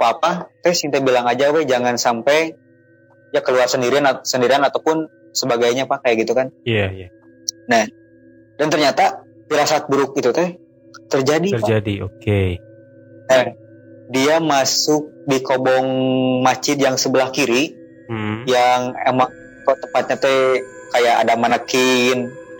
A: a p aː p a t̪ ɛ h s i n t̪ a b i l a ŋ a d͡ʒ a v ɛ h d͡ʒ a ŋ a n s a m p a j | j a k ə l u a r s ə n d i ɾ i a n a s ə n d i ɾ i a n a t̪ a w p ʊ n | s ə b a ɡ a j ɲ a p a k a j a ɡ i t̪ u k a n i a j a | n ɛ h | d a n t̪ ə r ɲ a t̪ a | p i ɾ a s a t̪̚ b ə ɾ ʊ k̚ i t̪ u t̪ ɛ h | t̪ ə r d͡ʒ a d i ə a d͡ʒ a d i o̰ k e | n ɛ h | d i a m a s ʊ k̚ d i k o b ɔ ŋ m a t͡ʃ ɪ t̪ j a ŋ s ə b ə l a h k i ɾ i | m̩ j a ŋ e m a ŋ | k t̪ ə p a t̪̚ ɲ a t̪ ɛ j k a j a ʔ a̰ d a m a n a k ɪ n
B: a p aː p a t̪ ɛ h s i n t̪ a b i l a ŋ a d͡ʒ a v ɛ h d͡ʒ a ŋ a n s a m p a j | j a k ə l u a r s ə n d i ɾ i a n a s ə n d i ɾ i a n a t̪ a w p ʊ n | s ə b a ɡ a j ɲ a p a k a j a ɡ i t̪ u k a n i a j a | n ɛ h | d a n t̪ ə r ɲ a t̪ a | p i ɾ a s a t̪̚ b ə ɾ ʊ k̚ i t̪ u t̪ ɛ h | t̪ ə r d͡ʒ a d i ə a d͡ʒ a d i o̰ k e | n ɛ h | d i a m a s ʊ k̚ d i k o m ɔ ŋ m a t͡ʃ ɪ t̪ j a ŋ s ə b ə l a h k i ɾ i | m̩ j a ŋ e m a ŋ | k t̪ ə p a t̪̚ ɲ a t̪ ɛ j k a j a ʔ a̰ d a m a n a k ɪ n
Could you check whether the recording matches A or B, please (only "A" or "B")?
A